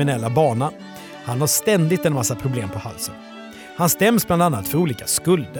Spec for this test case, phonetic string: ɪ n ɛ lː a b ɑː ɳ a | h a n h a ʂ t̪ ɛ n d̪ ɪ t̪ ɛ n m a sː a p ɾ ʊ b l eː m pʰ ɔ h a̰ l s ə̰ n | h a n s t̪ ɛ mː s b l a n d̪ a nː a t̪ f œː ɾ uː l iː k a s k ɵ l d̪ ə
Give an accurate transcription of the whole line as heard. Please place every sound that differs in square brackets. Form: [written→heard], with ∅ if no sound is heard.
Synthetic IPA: ɪ n ɛ lː a b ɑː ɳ a | h a n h a ʂ t̪ ɛ n d̪ ɪ t̪ ɛ n m a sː a [p→pʰ] ɾ ʊ b l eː m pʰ ɔ h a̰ l s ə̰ n | h a n s t̪ ɛ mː s b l a n d̪ a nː a t̪ f [œː→œ] ɾ uː l iː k a s k ɵ l d̪ ə